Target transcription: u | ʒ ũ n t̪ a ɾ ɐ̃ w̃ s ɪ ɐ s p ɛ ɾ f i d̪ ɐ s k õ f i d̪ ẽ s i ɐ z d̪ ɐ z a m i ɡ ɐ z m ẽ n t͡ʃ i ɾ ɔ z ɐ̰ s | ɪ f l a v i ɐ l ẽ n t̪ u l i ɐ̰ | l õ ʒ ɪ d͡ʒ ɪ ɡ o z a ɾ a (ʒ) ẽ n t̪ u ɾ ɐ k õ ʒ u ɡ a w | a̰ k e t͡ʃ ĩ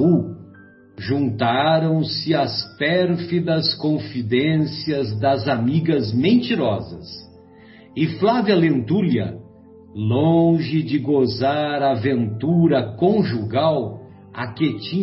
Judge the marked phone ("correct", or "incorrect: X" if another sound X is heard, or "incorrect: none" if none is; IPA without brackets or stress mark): incorrect: v